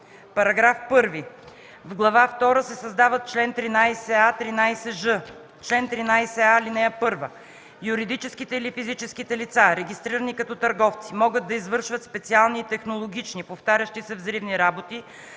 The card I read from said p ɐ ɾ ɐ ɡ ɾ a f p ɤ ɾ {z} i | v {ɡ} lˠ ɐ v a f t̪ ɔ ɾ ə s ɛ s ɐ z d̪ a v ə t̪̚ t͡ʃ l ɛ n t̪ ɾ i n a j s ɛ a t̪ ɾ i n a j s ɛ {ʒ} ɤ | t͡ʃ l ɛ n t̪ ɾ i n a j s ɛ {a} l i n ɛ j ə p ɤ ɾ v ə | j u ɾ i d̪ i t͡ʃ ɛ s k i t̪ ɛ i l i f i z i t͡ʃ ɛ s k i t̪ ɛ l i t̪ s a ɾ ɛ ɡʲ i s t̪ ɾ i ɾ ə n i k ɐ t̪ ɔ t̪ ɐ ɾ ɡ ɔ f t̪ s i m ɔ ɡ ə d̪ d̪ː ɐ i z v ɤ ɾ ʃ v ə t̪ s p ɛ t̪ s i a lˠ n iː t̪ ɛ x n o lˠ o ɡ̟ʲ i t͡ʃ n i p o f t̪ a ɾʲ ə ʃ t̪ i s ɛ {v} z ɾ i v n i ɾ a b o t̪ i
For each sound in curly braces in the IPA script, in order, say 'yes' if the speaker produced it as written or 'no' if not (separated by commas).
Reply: no, yes, yes, yes, yes